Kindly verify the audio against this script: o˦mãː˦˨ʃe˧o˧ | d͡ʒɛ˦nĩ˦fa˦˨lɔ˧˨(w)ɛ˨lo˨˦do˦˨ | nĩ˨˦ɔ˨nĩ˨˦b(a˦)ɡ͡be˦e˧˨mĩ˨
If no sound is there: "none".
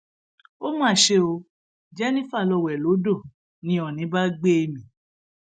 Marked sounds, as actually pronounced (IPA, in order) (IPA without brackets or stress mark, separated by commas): w, a˦